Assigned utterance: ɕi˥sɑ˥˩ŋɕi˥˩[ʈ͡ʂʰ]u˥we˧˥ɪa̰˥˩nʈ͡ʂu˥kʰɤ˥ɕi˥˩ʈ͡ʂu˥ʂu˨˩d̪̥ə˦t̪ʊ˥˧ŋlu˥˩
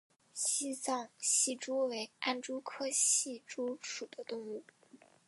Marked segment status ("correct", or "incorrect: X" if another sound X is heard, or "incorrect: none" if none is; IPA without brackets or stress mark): incorrect: ʈ͡ʂ